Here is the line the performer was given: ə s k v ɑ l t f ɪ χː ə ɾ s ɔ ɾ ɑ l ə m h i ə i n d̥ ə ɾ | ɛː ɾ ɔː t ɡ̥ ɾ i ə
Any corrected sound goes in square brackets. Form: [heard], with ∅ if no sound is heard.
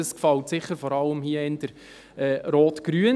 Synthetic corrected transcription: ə s k [f] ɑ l t [s] ɪ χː ə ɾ [f] ɔ ɾ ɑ l ə m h i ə [ɪ] n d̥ ə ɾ | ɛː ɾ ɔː t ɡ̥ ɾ [y] ə